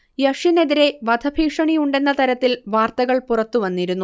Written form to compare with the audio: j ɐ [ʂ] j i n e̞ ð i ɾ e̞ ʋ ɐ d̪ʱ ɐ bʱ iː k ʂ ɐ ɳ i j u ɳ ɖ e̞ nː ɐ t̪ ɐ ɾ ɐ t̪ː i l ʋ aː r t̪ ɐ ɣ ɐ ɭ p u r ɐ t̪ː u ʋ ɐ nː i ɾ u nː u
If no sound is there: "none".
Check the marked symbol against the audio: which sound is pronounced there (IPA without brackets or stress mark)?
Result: ʂ